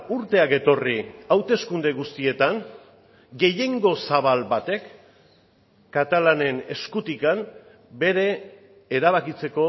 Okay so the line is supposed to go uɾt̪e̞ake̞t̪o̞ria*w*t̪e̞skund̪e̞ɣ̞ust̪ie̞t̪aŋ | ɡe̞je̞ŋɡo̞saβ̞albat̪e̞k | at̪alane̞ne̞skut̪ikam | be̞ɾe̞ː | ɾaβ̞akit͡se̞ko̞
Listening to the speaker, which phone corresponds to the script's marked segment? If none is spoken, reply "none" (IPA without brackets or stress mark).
w